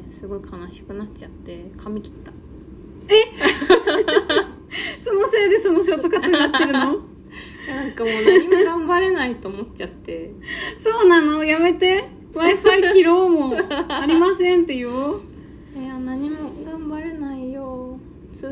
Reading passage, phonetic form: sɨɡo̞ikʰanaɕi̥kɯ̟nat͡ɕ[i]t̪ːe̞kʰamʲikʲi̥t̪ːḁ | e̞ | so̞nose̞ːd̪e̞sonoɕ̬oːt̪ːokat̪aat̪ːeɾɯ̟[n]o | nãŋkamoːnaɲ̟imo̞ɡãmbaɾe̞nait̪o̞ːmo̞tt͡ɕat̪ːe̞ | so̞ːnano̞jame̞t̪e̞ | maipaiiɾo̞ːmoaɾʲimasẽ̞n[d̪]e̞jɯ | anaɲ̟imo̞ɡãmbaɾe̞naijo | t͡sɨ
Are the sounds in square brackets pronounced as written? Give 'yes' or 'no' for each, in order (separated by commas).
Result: no, yes, no